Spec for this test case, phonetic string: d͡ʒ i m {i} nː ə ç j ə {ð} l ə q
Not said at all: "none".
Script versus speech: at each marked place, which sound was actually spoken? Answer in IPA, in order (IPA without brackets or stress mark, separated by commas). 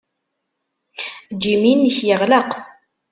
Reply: i, ʁ